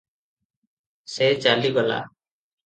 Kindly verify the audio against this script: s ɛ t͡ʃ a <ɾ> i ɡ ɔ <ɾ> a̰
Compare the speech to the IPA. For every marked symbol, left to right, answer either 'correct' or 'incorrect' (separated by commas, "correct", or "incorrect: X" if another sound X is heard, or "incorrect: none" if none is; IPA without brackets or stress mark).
incorrect: l, incorrect: l